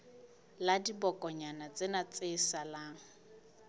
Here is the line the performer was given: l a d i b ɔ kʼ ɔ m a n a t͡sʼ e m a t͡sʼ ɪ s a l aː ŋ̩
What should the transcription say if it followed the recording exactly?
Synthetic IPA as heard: l a d i b ɔ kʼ ɔ ɲ a n a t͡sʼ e n a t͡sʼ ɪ s a l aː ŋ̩